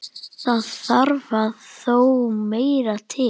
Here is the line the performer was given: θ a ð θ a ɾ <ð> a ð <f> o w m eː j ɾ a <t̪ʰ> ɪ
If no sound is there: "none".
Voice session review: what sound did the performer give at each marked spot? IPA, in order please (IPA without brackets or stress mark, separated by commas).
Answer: v, θ, t̪ʰ